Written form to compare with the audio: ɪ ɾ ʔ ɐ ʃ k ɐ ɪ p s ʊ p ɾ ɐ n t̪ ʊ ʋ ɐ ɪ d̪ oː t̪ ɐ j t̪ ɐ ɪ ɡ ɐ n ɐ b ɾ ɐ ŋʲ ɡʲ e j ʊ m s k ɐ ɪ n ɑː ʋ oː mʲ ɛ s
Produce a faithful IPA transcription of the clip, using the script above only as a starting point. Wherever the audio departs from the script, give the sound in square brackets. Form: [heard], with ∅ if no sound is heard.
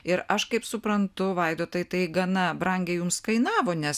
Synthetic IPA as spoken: ɪ ɾ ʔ ɐ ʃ k ɐ ɪ p s ʊ p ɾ ɐ n t̪ ʊ ʋ ɐ ɪ d̪ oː t̪ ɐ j t̪ ɐ ɪ ɡ ɐ n ɐ b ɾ ɐ ŋʲ ɡʲ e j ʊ m s k ɐ ɪ n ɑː ʋ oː [nʲ] ɛ s